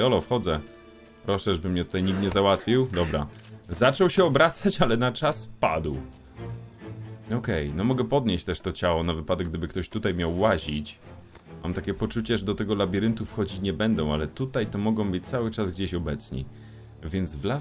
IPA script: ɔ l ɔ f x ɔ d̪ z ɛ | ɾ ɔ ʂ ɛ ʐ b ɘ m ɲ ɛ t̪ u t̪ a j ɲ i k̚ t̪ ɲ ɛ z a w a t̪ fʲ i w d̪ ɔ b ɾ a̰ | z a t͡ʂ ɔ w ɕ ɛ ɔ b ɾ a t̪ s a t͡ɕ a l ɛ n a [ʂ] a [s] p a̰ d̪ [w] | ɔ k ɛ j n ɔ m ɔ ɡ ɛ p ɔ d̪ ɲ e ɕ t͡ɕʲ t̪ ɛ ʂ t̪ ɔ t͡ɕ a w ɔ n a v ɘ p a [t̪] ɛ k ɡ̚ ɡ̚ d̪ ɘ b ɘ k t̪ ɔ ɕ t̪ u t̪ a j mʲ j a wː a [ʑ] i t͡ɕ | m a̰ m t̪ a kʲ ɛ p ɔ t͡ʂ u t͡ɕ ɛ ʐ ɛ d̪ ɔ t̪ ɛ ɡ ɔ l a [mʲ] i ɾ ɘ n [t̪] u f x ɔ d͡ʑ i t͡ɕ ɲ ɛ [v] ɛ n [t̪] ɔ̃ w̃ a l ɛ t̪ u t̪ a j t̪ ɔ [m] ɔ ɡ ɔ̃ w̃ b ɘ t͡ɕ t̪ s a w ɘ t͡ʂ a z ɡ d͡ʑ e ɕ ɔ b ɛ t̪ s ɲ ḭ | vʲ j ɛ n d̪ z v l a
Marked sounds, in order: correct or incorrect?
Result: incorrect, correct, correct, incorrect, correct, incorrect, correct, incorrect, incorrect, correct

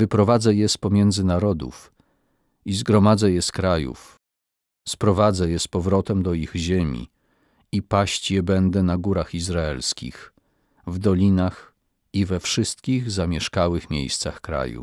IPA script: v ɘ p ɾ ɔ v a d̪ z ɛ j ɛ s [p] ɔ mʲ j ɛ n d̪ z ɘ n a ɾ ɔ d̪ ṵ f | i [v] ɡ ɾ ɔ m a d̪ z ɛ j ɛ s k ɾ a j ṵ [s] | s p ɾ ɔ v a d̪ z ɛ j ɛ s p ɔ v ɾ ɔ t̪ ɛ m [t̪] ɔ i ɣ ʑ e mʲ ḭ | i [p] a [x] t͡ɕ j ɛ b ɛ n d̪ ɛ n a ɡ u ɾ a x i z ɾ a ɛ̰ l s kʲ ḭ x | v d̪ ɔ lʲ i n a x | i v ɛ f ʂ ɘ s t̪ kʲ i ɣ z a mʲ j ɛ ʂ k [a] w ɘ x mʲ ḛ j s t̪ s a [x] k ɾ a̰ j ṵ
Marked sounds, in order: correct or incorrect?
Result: correct, incorrect, incorrect, incorrect, correct, incorrect, correct, correct

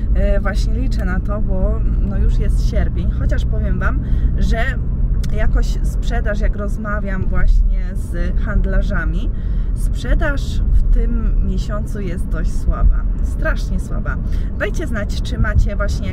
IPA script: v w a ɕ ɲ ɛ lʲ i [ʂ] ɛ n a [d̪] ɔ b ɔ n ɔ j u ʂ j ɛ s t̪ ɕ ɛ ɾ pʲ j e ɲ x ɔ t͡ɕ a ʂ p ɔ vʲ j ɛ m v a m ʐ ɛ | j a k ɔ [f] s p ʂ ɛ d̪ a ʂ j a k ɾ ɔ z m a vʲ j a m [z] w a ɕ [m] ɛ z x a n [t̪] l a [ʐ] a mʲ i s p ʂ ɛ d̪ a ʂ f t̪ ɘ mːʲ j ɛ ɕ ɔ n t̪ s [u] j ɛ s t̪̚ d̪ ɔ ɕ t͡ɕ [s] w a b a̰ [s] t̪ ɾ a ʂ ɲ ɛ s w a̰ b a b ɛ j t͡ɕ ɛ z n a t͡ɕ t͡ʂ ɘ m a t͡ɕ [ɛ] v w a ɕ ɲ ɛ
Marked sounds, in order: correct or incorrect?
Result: incorrect, incorrect, incorrect, incorrect, incorrect, incorrect, correct, correct, correct, correct, correct

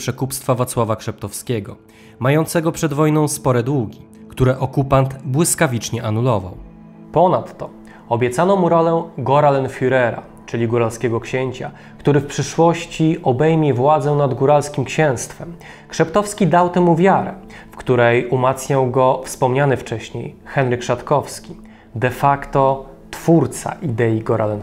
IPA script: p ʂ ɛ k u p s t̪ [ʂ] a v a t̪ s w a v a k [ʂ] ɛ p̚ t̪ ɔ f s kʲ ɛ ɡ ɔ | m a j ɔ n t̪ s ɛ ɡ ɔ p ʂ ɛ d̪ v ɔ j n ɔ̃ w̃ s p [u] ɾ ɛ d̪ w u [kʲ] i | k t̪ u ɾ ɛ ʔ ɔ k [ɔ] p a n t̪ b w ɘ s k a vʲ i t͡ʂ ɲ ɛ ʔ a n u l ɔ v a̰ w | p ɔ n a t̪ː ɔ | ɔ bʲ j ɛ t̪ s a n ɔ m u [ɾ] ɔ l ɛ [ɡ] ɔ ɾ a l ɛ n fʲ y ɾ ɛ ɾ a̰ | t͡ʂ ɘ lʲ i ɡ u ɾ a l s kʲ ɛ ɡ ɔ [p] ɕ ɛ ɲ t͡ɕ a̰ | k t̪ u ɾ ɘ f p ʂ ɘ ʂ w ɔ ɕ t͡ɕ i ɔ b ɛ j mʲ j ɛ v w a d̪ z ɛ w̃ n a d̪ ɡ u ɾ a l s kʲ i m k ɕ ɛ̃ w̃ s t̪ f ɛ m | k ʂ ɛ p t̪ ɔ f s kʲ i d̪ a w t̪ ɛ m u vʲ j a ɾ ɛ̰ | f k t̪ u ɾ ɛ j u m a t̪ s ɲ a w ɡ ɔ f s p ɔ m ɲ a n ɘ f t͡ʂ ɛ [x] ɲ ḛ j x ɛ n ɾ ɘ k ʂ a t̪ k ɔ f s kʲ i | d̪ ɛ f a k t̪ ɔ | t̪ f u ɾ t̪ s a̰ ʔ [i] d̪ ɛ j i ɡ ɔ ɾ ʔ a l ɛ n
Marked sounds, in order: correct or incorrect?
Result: incorrect, correct, incorrect, incorrect, incorrect, correct, correct, incorrect, incorrect, correct

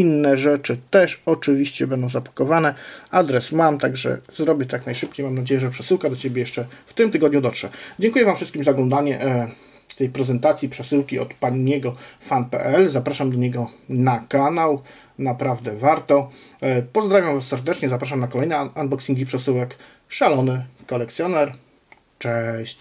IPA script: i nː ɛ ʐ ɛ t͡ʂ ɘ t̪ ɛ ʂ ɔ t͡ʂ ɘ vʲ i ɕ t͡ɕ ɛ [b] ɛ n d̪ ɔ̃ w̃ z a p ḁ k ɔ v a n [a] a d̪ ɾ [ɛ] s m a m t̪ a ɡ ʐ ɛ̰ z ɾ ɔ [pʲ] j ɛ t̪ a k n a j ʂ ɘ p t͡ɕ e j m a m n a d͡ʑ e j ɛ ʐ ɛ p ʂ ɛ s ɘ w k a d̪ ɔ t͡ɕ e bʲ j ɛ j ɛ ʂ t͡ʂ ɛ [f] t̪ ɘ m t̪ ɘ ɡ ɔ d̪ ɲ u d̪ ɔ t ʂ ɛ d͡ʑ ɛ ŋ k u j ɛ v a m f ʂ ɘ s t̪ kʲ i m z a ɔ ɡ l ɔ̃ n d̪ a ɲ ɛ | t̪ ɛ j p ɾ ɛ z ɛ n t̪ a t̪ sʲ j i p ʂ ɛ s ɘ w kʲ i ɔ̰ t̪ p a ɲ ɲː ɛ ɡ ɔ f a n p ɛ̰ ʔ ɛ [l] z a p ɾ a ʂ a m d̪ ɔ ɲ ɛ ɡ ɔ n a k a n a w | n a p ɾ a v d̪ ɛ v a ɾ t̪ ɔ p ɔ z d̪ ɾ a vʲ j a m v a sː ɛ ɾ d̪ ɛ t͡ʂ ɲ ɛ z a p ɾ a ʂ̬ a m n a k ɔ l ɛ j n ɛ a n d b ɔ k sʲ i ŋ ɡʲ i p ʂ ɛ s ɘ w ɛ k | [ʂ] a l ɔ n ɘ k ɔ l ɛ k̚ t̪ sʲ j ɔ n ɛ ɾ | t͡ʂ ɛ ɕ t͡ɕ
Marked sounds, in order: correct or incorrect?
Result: correct, incorrect, correct, incorrect, correct, correct, correct

